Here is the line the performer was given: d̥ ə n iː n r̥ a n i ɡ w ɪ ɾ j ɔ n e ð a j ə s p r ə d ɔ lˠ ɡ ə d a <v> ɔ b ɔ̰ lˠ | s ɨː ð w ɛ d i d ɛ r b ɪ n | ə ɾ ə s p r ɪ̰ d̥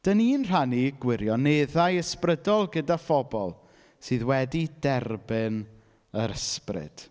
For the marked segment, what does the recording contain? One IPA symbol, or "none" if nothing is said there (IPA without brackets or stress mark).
f